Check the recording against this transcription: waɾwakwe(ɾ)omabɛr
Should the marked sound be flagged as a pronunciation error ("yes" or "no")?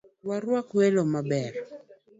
yes